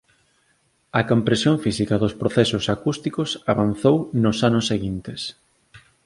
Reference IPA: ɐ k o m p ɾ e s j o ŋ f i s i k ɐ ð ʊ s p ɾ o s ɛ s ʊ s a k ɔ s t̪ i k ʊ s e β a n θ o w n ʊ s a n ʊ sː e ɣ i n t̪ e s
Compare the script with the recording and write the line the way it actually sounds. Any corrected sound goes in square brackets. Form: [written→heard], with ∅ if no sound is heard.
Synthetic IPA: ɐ k o m p ɾ e s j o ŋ f i s i k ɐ ð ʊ s p ɾ o [s→θ] ɛ s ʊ s a k [ɔ→u] s t̪ i k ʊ s [e→a] β a n θ o w n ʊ s a n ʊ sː e ɣ i n t̪ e s

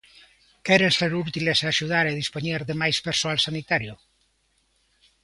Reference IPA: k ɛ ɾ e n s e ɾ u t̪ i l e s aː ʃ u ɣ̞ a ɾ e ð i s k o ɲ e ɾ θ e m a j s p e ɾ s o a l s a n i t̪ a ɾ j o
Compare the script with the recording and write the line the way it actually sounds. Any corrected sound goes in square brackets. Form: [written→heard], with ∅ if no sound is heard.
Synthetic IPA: k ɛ ɾ e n s e ɾ u t̪ i l e s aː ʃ u [ɣ̞→ð̞] a ɾ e ð i s [k→p] o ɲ e ɾ [θ→ð] e m a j s p e ɾ s o a l s a n i t̪ a ɾ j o

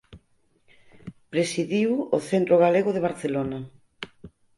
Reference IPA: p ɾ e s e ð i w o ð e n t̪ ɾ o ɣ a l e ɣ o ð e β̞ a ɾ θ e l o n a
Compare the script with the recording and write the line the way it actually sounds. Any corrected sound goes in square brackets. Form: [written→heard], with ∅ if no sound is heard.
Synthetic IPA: p ɾ e s [e→i] ð i w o [ð→θ] e n t̪ ɾ o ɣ a l e ɣ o ð e β̞ a ɾ θ e l o n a

